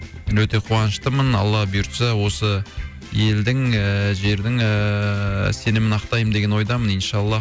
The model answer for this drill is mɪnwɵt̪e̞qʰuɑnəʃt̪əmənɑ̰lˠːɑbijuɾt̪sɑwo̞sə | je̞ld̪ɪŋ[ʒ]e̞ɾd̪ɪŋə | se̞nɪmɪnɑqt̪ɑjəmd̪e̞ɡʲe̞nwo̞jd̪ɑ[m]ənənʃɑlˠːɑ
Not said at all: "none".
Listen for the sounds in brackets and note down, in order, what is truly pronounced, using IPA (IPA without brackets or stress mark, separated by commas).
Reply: ʒ, m